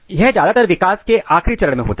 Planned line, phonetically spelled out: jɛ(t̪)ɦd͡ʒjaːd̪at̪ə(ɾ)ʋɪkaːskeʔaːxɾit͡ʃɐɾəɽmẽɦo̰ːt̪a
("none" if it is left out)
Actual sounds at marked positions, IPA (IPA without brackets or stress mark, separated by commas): none, ɾ